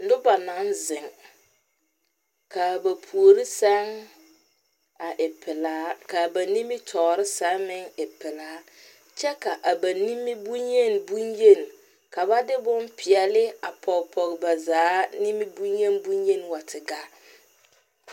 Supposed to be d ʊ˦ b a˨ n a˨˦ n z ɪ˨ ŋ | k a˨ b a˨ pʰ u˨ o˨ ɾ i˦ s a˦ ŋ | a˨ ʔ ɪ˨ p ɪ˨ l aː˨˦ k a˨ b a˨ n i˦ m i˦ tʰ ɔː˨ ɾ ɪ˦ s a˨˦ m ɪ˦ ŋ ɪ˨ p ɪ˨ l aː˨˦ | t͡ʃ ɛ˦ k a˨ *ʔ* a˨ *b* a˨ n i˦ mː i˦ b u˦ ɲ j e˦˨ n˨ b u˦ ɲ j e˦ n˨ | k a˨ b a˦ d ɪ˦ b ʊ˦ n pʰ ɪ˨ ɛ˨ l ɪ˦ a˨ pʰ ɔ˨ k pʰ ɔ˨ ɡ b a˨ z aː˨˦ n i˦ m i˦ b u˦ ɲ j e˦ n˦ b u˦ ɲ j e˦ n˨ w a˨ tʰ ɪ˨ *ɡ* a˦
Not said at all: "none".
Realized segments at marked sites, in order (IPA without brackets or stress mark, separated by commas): ʔ, b, ɡ